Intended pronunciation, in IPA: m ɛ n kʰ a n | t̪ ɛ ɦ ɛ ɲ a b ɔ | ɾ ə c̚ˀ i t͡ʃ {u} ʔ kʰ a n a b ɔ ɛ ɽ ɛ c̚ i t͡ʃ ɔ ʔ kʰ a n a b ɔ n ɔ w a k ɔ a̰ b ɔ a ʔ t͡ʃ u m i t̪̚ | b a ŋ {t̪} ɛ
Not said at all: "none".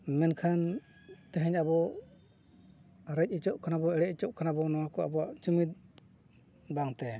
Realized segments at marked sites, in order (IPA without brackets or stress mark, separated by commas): ɔ, t̪